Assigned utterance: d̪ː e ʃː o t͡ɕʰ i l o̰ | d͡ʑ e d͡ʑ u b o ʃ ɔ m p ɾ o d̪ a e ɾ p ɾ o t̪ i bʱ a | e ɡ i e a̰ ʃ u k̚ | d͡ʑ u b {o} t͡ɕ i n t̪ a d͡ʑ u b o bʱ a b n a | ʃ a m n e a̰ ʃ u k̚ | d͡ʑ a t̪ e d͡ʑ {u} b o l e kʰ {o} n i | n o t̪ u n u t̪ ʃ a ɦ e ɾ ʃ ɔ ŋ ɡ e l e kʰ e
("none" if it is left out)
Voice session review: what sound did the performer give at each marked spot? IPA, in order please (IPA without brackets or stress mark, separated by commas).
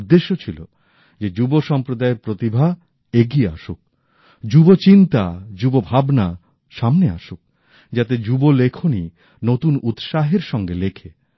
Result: o, u, o